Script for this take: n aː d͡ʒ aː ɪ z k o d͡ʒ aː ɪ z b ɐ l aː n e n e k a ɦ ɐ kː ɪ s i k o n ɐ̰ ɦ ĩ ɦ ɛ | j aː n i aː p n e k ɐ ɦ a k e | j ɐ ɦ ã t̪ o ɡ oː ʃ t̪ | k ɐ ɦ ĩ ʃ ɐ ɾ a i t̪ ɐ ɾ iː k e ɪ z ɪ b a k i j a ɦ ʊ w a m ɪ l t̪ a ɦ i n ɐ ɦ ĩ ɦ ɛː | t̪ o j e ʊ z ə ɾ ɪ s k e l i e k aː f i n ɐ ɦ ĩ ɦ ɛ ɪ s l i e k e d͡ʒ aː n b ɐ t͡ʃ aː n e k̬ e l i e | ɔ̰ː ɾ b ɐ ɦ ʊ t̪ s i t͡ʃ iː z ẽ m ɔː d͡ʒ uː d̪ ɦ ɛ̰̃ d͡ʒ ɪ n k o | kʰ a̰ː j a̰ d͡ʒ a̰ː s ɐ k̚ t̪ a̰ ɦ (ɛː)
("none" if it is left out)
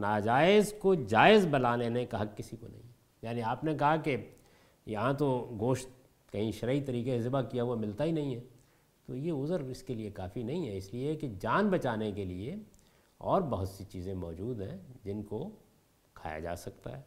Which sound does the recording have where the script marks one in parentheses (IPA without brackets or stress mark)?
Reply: ɛː